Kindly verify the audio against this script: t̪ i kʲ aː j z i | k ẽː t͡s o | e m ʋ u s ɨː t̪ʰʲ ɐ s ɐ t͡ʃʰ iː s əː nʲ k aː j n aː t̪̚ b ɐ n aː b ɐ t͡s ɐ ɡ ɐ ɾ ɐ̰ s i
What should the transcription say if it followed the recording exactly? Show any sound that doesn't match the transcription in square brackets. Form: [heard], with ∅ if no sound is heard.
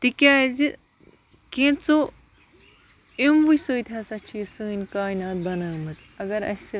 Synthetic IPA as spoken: t̪ i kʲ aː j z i | k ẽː t͡s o | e m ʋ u s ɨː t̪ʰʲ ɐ s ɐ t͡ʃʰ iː s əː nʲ k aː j n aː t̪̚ b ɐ n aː [m] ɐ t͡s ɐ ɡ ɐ ɾ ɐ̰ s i